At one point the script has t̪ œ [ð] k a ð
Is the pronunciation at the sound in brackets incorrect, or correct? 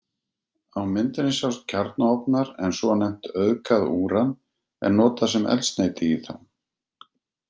correct